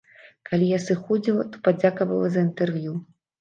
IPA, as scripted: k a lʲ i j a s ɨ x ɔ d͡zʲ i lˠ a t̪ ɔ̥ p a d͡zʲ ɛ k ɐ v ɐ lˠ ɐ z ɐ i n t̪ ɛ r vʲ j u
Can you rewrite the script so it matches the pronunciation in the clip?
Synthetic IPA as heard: k a lʲ i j a s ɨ x ɔ d͡zʲ i lˠ ɐ t̪ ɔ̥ p a d͡zʲ a k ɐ v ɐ lˠ ɐ z ɐ i n t̪ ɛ r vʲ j u

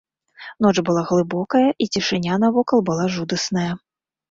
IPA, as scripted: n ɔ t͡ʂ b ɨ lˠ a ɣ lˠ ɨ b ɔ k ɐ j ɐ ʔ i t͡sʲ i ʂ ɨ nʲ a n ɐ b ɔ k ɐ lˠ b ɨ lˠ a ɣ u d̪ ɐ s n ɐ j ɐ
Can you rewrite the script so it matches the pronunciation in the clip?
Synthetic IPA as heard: n ɔ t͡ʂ b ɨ lˠ a ɣ lˠ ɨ b ɔ k ɐ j ɐ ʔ i t͡sʲ i ʂ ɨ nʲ a n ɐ v ɔ k ɐ lˠ b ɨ lˠ a ʐ u d̪ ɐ s n ɐ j ɐ

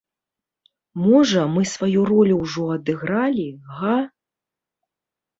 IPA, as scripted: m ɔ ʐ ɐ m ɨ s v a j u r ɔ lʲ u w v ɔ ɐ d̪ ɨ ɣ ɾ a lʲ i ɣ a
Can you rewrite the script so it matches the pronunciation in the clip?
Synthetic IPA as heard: m ɔ ʐ ɐ m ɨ s v a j u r ɔ lʲ u w ʐ ɔ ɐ d̪ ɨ ɣ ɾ a lʲ i ɣ a

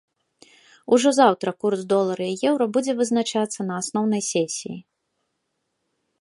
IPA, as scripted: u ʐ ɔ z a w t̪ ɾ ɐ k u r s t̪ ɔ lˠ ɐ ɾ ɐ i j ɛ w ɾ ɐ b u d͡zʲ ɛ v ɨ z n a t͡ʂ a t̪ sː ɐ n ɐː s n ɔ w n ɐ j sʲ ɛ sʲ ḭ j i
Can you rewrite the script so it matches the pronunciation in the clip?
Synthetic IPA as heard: u ʐ ɔ z a w t̪ ɾ ɐ k u r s d̪ ɔ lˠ ɐ ɾ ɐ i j ɛ w ɾ ɐ b u d͡zʲ ɛ v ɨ z n a t͡ʂ a t̪ sː ɐ n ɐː s n ɔ w n ɐ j sʲ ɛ sʲ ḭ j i

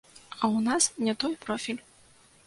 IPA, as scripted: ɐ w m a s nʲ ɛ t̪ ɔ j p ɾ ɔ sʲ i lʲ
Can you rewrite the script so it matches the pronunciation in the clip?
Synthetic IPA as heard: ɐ w n a s nʲ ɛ t̪ ɔ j p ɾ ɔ fʲ i lʲ

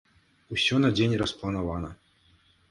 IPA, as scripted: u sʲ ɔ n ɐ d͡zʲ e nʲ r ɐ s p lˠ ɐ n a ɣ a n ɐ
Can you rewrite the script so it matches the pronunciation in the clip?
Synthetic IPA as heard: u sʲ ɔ n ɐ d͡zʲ e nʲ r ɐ s p lˠ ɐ n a v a n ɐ

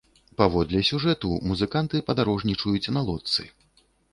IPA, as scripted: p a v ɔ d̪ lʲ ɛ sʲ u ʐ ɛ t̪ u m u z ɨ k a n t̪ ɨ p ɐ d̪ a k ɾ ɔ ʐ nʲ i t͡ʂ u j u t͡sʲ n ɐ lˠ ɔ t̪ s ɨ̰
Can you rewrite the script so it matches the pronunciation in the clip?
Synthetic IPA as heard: p a v ɔ d̪ lʲ ɛ sʲ u ʐ ɛ t̪ u m u z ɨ k a n t̪ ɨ p ɐ d̪ a ɾ ɔ ʐ nʲ i t͡ʂ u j u t͡sʲ n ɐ lˠ ɔ t̪ s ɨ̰

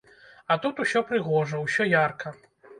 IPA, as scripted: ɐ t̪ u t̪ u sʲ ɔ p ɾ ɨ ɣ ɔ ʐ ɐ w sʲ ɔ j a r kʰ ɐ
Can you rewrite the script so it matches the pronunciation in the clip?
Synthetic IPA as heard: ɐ t̪ u t̪ u sʲ ɔ p ɾ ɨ ɣ ɔ ʐ ɐ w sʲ ɔ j a r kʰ ɐ

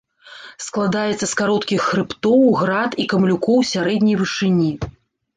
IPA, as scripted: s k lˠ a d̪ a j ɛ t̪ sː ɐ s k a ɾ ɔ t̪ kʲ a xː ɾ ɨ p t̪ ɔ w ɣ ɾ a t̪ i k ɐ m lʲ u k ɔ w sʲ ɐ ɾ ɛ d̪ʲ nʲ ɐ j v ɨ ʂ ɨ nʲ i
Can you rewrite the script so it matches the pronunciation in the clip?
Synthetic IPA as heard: s k lˠ a d̪ a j ɛ t̪ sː ɐ s k a ɾ ɔ t̪ kʲ i xː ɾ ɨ p t̪ ɔ w ɣ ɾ a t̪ i k ɐ m lʲ u k ɔ w sʲ a ɾ ɛ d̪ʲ nʲ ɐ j v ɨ ʂ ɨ nʲ i

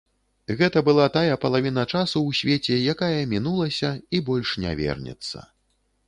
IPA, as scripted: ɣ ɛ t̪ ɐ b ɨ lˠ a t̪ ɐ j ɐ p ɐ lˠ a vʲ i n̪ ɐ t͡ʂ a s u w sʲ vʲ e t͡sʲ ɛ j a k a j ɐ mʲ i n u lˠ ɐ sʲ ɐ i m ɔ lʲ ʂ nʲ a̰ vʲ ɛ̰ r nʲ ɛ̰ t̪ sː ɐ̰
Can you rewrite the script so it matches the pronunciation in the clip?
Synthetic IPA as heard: ɣ ɛ t̪ ɐ b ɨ lˠ a t̪ a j ɐ p ɐ lˠ a vʲ i n̪ ɐ t͡ʂ a s u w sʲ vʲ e t͡sʲ ɛ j a k a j ɐ mʲ i n u lˠ ɐ sʲ ɐ i b ɔ lʲ ʂ nʲ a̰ vʲ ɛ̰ r nʲ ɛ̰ t̪ sː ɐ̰

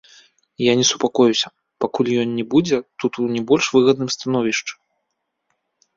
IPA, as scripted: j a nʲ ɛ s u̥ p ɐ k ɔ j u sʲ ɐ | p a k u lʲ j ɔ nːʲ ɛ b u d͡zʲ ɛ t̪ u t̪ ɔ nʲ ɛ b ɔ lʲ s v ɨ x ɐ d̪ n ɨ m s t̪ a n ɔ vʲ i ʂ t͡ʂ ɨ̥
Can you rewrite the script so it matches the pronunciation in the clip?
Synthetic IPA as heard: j a nʲ ɛ s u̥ p a k ɔ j u sʲ ɐ | p a k u lʲ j ɔ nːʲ ɛ b u d͡zʲ ɛ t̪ u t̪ u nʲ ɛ b ɔ lʲ ʂ v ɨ ɣ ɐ d̪ n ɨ m s t̪ a n ɔ vʲ i ʂ t͡ʂ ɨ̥

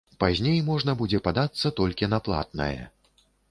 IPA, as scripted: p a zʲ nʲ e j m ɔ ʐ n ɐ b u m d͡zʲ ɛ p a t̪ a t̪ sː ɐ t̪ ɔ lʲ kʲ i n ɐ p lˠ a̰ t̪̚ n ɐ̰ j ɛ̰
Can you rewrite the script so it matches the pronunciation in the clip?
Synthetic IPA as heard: p a zʲ nʲ e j m ɔ ʐ n ɐ b u d͡zʲ ɛ p a d̪ a t̪ sː ɐ t̪ ɔ lʲ kʲ i n ɐ p lˠ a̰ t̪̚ n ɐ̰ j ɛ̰

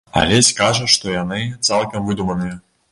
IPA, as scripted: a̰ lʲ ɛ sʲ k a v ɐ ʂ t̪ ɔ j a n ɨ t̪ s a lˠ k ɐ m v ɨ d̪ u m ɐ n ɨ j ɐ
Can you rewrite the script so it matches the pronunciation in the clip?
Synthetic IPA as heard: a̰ lʲ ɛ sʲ k a ʐ ɐ ʂ t̪ ɔ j a n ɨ t̪ s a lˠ k ɐ m v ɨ d̪ u m ɐ n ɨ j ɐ

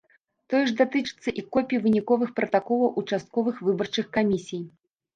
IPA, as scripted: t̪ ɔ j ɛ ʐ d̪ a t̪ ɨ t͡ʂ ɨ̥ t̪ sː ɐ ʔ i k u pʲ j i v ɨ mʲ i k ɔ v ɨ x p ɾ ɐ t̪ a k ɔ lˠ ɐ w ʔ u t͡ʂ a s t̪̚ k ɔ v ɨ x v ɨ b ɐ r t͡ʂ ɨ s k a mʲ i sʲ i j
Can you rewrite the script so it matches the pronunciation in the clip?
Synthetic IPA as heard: t̪ ɔ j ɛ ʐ d̪ a t̪ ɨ t͡ʂ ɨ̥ t̪ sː ɐ ʔ i k ɔ pʲ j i v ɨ nʲ i k ɔ v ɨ x p ɾ ɐ t̪ a k ɔ lˠ ɐ w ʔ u t͡ʂ a s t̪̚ k ɔ v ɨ x v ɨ b ɐ r t͡ʂ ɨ x k a mʲ i sʲ i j

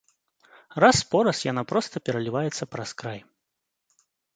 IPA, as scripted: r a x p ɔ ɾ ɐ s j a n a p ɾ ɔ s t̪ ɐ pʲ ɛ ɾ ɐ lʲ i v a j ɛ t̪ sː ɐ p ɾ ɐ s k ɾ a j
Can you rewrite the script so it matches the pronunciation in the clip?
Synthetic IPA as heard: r a s p ɔ ɾ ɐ s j a n a p ɾ ɔ s t̪ ɐ pʲ ɛ ɾ ɐ lʲ i v a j ɛ t̪ sː ɐ p ɾ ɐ s k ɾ a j

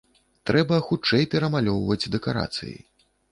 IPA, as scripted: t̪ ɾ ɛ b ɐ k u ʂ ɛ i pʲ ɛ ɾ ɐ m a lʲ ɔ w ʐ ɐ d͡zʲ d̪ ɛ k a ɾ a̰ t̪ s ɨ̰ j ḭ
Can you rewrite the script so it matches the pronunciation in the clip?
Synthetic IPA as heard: t̪ ɾ ɛ b ɐ x u t͡ʂ ɛ j pʲ ɛ ɾ ɐ m a lʲ ɔ w v ɐ d͡zʲ d̪ ɛ k a ɾ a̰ t̪ s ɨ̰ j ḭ

